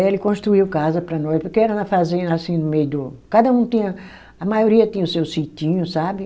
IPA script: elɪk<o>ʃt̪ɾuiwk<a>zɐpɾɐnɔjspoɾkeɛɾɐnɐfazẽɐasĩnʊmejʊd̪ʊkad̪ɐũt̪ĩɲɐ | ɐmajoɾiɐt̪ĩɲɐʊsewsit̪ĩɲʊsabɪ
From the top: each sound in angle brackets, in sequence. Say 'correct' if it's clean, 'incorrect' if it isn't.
incorrect, correct

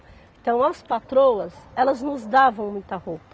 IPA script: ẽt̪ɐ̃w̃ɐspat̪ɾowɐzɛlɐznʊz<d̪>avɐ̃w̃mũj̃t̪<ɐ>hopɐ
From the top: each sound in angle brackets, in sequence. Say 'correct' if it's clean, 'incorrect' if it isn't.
correct, correct

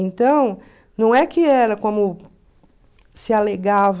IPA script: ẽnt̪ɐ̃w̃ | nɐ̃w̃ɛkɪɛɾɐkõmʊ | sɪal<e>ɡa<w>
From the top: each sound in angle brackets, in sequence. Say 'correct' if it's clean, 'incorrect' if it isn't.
correct, incorrect

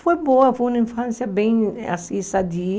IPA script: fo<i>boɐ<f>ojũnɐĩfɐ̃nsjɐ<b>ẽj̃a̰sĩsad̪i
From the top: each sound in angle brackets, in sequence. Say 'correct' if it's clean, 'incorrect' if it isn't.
incorrect, correct, correct

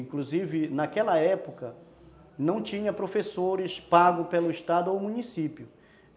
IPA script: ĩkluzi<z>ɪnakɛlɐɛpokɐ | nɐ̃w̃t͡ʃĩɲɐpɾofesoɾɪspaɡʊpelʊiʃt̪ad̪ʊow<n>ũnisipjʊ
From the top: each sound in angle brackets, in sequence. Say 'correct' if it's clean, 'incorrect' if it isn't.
incorrect, incorrect

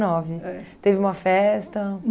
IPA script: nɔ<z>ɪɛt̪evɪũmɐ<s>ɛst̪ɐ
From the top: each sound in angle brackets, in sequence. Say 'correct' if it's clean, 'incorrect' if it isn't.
incorrect, incorrect

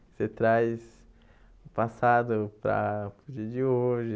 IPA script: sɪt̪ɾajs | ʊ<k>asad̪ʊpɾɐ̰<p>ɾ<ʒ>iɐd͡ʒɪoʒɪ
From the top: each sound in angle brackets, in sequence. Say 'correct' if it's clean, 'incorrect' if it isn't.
incorrect, correct, incorrect

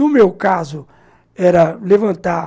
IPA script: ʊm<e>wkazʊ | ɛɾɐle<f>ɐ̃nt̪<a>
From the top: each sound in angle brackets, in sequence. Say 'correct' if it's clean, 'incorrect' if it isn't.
correct, incorrect, correct

